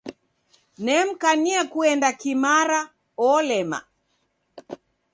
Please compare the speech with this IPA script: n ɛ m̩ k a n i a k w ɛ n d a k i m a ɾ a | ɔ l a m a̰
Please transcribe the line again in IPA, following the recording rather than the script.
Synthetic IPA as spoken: n ɛ m̩ k a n i a k u ɛ n d a k i m a ɾ a | ɔ l ɛ m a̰